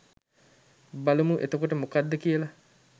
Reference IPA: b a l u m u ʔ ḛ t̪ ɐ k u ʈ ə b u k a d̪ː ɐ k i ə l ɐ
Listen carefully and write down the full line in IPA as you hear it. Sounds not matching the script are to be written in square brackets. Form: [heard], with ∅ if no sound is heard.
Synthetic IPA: b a l u m u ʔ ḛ t̪ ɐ k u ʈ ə [m] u k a d̪ː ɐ k i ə l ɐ